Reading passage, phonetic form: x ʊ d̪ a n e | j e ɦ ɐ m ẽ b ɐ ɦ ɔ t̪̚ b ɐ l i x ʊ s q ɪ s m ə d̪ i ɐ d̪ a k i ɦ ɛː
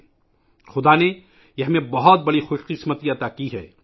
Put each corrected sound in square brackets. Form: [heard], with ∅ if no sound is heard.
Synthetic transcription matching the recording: x ʊ d̪ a n e | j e ɦ ɐ m ẽ b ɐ ɦ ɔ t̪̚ b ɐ [ɽ] i x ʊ [ʃ] q ɪ s m ə [t̪] i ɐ [t̪] a k i ɦ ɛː